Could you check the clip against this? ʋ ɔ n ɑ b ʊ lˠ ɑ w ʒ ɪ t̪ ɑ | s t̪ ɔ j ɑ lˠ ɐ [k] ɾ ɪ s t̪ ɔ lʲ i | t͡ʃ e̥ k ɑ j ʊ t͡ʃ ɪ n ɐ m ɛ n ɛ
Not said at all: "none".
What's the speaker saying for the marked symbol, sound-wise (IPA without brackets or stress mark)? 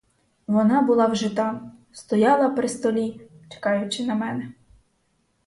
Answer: p